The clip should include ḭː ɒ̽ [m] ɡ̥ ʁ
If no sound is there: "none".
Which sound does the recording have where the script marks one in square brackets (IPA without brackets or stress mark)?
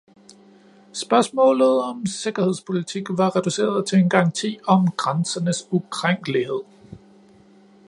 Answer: m